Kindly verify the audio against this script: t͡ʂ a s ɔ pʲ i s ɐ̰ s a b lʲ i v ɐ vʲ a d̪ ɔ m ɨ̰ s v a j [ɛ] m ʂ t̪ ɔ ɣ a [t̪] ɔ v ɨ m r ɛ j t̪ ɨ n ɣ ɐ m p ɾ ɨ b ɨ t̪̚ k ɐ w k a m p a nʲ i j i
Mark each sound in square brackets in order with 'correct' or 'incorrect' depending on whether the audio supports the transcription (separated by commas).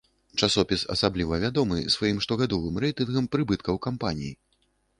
incorrect, incorrect